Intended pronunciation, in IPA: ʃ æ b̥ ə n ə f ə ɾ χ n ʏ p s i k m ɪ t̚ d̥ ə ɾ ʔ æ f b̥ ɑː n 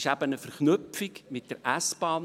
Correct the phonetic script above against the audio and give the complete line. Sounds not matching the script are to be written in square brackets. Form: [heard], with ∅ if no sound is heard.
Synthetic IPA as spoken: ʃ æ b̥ ə n ə f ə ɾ χ n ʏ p [f] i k m ɪ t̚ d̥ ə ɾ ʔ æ [s] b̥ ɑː n